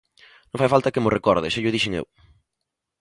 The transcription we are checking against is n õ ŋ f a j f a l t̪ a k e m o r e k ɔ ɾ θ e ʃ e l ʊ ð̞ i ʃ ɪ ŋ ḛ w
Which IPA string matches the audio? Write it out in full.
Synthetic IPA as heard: n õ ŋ f a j f a l t̪ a k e m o r e k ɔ ɾ ð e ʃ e ʎ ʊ ð̞ i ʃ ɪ ŋ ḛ w